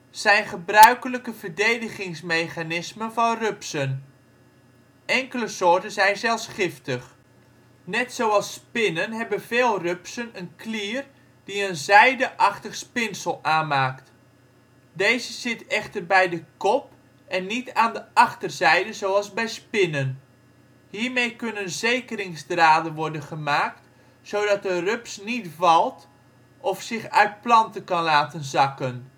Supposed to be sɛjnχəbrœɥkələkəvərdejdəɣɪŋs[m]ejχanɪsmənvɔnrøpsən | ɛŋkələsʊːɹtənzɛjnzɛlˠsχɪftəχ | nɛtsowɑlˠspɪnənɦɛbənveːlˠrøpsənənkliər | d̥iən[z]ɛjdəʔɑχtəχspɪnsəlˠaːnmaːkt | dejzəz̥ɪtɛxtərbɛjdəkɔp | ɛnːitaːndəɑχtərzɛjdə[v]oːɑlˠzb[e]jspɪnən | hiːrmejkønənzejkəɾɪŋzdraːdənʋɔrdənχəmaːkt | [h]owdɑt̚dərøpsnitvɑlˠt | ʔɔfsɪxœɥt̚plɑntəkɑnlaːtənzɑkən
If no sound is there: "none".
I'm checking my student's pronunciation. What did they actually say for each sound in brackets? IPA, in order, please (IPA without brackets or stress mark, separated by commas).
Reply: m, z, z, ɛ, s